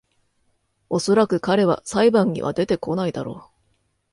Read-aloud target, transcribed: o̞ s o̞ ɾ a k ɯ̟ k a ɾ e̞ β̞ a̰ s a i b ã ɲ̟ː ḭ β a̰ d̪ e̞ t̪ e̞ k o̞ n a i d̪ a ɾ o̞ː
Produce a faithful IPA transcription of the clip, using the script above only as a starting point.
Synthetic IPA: o̞ s o̞ ɾ a k ɯ̟ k a ɾ e̞ β̞ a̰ s a i b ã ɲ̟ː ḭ β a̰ d̪ e̞ t̪ e̞ k o̞ n a i d̪ a ɾ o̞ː